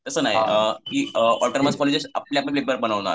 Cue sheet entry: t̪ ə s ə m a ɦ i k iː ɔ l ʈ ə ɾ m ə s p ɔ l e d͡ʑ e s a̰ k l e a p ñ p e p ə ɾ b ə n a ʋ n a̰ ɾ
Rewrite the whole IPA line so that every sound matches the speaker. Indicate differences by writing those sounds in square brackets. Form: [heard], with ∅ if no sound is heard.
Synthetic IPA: t̪ ə s ə [n] a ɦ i k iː ɔ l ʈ ə ɾ m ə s [k] ɔ l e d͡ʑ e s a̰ [p] l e a p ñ p e p ə ɾ b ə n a ʋ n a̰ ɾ